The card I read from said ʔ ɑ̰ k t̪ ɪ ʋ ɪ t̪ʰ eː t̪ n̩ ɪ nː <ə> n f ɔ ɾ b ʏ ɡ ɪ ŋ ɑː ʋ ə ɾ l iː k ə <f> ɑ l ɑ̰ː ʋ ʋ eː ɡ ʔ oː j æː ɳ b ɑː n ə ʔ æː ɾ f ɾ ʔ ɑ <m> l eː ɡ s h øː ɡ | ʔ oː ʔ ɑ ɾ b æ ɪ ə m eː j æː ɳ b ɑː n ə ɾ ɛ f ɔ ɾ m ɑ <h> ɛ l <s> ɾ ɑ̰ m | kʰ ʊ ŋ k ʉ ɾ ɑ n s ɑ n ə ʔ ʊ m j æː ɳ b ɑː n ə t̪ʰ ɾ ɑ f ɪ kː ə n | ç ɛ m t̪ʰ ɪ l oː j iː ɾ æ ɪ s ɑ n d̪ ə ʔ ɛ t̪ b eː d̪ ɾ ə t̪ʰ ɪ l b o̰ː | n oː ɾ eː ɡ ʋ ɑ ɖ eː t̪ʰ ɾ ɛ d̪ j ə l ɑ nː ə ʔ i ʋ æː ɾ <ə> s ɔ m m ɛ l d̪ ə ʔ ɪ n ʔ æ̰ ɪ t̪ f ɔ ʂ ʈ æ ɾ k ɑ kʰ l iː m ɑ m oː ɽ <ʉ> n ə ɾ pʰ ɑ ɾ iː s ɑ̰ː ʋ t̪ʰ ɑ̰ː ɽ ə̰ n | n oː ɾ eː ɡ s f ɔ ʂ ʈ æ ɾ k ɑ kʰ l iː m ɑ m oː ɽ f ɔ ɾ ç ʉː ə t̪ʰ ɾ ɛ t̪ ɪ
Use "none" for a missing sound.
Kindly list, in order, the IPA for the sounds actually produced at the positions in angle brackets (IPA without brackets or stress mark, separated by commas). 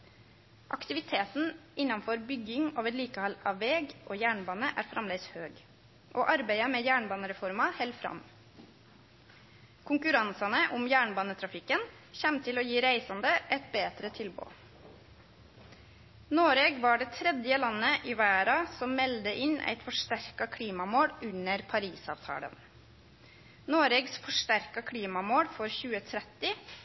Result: ɑ, h, m, h, f, ɑ, ʉ